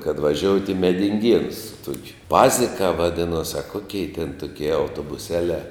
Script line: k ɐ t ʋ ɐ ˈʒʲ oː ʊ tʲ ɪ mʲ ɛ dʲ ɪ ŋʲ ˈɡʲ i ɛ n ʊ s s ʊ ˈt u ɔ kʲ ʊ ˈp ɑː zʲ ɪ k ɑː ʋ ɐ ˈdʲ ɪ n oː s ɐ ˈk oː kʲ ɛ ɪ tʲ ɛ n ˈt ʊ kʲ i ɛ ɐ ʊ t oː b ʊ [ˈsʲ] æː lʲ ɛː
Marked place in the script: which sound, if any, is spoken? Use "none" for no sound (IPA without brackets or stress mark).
sʲ